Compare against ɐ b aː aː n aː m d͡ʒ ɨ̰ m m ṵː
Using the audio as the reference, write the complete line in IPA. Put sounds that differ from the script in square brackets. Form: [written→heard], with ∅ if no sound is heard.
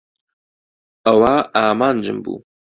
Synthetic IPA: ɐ [b→w] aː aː [n→m] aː [m→n] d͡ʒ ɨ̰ m [m→b] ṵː

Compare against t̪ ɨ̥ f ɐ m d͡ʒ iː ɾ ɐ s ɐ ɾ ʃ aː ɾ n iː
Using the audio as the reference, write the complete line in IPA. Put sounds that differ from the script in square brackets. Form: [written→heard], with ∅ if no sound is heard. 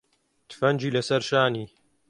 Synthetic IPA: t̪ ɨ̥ f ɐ [m→n] d͡ʒ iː [ɾ→l] ɐ s ɐ ɾ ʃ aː [ɾ→∅] n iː

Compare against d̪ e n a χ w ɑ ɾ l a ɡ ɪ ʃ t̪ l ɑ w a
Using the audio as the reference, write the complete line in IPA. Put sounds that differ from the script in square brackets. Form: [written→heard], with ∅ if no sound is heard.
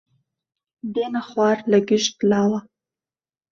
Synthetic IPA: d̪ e n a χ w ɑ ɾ l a ɡ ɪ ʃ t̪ l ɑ w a

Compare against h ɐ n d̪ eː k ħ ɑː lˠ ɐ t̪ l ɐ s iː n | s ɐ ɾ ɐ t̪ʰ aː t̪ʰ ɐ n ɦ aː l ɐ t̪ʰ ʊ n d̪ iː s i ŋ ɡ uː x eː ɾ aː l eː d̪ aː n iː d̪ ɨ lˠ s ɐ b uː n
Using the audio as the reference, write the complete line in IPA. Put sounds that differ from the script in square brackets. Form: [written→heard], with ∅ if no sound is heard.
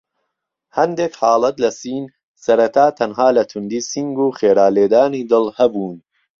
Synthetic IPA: h ɐ n d̪ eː k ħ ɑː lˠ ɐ t̪ l ɐ s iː n | s ɐ ɾ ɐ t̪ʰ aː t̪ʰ ɐ n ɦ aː l ɐ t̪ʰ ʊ n d̪ iː s i ŋ ɡ uː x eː ɾ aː l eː d̪ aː n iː d̪ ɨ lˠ [s→h] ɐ b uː n

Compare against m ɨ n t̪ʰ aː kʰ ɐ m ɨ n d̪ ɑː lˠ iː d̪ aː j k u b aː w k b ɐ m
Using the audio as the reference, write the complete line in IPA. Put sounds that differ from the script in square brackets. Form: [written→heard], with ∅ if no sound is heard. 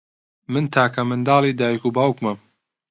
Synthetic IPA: m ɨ n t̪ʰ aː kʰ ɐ m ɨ n d̪ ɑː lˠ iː d̪ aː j k u b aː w k [b→m] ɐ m

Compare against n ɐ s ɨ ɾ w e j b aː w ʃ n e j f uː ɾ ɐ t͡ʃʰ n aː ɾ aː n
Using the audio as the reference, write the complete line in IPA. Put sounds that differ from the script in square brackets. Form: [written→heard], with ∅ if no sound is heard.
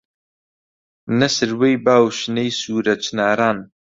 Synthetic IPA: n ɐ s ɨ ɾ w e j b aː w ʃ n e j [f→s] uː ɾ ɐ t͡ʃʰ n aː ɾ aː n

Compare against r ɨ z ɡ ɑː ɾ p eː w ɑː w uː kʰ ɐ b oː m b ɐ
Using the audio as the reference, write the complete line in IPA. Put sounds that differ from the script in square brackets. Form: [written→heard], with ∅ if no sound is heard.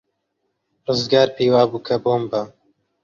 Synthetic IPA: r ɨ z ɡ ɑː ɾ p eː w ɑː [w→b] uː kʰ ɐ b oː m b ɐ

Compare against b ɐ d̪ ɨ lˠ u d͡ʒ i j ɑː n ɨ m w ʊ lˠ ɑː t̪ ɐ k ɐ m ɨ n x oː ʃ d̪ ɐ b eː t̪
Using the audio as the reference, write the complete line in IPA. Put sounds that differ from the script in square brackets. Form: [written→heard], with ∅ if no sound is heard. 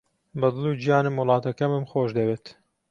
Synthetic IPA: b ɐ d̪ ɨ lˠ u d͡ʒ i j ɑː n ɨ m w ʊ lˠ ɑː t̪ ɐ k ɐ m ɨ [n→m] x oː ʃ d̪ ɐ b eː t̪

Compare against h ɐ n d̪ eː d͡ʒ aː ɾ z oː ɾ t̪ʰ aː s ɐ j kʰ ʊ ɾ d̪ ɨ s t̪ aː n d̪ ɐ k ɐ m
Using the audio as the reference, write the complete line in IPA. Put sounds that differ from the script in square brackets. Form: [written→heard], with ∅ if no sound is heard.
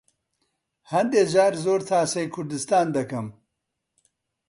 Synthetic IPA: h ɐ n d̪ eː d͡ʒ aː ɾ z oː ɾ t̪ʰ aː s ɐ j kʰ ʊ ɾ d̪ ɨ s t̪ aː n d̪ ɐ k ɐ m

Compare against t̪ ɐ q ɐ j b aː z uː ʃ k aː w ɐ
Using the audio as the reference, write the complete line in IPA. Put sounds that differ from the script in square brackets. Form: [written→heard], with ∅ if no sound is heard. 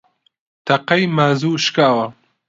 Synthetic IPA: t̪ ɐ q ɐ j [b→m] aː z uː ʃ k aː w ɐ

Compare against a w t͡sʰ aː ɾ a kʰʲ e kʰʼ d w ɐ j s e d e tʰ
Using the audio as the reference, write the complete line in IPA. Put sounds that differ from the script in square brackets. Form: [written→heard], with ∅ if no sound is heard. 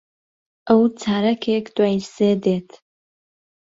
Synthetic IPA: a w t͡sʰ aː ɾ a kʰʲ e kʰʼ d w [ɐ→a] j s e d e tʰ

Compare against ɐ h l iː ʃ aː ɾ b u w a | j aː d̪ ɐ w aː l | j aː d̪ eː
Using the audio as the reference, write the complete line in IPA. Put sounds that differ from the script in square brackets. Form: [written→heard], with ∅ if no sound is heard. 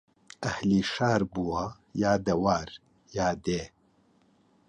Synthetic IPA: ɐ h l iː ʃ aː ɾ b u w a | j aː d̪ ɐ w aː [l→ɾ] | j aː d̪ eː

